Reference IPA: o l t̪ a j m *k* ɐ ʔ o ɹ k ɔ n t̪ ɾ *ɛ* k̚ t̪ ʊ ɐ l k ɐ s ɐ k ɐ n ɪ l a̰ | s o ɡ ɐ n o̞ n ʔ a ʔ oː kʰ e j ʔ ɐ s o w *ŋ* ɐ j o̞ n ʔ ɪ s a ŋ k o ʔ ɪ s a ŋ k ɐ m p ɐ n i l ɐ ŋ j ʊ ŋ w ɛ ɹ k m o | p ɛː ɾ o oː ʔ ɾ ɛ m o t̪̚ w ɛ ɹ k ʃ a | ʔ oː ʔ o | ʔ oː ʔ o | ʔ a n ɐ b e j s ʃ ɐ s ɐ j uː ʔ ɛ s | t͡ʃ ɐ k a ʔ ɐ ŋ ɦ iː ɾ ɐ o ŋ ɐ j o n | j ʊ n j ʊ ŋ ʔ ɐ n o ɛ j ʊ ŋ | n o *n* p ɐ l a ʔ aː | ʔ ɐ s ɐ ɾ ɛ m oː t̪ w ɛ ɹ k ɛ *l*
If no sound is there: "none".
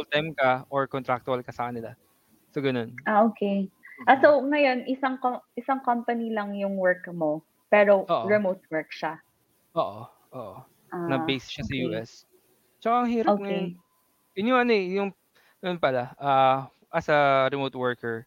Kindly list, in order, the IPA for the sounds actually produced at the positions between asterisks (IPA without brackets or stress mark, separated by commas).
k, a, ŋ, n, ɹ